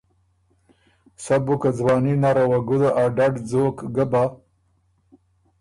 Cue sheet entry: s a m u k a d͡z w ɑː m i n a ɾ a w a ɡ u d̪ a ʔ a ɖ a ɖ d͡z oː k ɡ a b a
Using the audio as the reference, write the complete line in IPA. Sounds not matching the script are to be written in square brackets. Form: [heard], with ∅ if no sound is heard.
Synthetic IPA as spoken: s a [b] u k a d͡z w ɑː [n] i n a ɾ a w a ɡ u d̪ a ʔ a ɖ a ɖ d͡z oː k ɡ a b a

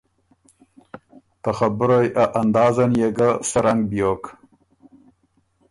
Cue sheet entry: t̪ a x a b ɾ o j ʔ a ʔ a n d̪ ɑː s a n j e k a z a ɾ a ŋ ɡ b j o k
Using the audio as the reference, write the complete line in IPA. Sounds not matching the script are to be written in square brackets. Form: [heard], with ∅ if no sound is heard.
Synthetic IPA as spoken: t̪ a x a b ɾ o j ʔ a ʔ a n d̪ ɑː [z] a n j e [ɡ] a [s] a ɾ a ŋ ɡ b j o k

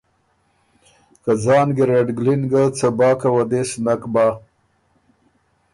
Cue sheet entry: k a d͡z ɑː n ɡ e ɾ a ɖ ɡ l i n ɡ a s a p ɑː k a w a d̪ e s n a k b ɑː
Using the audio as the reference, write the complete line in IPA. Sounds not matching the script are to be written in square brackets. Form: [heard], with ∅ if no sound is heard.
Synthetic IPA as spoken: k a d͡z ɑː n ɡ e ɾ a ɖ ɡ l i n ɡ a [t͡s] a [b] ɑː k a w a d̪ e s n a k b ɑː

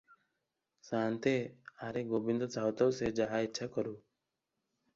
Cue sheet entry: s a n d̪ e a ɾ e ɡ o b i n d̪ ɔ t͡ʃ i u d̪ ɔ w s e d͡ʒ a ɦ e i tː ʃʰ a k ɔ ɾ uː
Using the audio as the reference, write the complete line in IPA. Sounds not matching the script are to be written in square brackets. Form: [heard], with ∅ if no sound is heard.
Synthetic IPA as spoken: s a n [t̪] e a ɾ e ɡ o b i n d̪ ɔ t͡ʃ [a] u [t̪] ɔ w s e d͡ʒ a ɦ [a] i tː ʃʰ a k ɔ ɾ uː

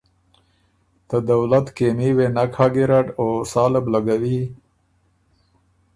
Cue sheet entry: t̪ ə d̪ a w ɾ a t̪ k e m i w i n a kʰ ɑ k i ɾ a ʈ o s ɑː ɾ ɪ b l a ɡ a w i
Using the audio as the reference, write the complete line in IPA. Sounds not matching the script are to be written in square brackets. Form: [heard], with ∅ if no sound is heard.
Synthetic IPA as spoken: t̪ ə d̪ a w [l] a t̪ k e m i w [e] n a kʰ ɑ [ɡ] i ɾ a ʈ o s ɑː [l] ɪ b l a ɡ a w i

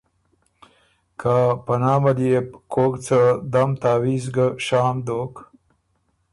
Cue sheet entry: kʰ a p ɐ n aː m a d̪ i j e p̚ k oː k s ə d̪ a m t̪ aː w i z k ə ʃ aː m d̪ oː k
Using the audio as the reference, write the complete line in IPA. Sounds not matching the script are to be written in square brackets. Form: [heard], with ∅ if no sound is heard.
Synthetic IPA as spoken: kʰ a p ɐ n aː m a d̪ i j e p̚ k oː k [t͡s] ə d̪ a m t̪ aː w i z [ɡ] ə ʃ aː m d̪ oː k

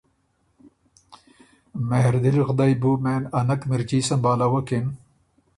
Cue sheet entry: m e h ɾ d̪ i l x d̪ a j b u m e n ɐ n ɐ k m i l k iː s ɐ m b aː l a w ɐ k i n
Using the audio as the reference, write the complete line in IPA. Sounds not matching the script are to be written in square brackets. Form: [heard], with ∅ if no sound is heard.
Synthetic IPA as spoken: m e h ɾ d̪ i l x d̪ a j b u m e n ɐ n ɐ k m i [ɾ] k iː s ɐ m b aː l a w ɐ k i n

